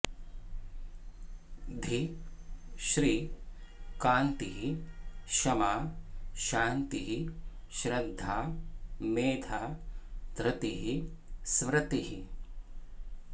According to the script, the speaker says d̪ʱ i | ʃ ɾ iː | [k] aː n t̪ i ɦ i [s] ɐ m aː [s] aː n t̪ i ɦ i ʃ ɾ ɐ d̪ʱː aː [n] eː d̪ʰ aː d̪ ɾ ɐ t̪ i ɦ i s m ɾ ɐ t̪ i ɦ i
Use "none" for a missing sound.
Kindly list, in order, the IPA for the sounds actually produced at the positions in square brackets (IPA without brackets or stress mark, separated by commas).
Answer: k, ʃ, ʃ, m